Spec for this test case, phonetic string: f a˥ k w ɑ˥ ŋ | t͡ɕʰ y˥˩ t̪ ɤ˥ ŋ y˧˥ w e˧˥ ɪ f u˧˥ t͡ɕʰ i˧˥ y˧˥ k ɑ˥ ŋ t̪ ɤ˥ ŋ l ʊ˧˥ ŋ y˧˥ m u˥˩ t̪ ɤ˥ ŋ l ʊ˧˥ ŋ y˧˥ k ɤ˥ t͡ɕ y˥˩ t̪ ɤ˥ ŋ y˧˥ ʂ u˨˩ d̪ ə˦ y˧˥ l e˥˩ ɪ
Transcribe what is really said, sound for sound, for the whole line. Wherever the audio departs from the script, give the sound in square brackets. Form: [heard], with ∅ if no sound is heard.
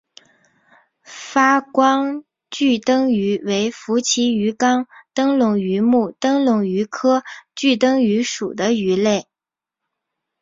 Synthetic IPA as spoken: f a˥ k w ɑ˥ ŋ | [t͡ɕ] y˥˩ t̪ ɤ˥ ŋ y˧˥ w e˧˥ ɪ f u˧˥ t͡ɕʰ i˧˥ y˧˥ k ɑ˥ ŋ t̪ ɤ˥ ŋ l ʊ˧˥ ŋ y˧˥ m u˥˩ t̪ ɤ˥ ŋ l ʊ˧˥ ŋ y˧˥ [kʰ] ɤ˥ t͡ɕ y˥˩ t̪ ɤ˥ ŋ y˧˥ ʂ u˨˩ d̪ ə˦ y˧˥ l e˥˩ ɪ